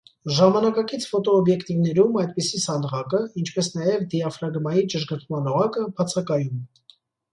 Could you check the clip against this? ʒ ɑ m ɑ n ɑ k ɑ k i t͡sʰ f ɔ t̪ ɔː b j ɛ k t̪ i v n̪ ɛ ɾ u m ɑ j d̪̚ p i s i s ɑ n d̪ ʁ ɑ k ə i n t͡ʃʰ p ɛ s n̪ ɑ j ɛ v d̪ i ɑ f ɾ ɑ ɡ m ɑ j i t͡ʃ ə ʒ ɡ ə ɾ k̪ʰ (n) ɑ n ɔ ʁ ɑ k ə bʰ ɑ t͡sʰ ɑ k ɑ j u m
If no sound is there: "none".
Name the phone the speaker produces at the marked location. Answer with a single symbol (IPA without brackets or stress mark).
m